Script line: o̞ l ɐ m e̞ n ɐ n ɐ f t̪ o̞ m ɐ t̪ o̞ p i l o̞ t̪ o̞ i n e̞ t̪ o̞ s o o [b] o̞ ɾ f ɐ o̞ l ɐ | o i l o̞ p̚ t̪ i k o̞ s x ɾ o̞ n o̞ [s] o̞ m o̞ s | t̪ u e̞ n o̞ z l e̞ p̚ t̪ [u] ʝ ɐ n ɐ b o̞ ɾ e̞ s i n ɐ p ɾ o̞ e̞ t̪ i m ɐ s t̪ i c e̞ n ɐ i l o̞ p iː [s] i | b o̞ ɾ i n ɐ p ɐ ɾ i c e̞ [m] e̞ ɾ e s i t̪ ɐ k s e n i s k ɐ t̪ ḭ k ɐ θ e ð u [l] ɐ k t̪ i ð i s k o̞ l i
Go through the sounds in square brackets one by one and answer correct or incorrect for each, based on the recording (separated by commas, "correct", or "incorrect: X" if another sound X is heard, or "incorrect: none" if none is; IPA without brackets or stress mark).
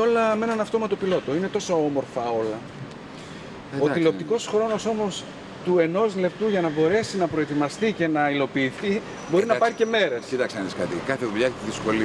incorrect: m, correct, correct, incorrect: θ, correct, incorrect: ʎ